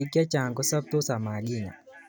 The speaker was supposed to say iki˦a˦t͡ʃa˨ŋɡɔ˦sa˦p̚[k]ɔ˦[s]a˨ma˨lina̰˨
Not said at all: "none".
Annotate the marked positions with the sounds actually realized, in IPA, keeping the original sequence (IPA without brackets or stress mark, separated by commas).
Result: t, s